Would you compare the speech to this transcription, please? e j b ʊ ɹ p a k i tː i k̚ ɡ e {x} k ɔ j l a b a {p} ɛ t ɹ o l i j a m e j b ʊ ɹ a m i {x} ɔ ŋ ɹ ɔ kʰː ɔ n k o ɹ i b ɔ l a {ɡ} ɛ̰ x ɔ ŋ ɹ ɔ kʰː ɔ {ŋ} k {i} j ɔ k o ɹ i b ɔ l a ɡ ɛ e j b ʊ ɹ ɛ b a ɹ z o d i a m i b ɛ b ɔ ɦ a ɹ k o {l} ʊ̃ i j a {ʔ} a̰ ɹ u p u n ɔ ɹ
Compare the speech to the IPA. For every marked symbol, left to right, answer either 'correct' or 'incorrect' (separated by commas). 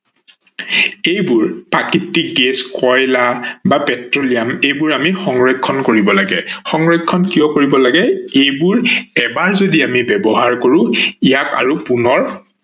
incorrect, correct, correct, correct, incorrect, correct, incorrect, incorrect